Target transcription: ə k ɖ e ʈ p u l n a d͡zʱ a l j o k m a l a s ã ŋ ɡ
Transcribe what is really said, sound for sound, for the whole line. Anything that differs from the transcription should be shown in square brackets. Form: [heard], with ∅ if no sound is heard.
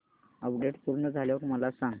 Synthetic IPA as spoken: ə [p] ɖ e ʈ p u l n [ə] d͡zʱ a l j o k m [ə] l a s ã ŋ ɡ